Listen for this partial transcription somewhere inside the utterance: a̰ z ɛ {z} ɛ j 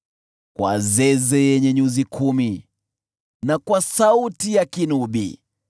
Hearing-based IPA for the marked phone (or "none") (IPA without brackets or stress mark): z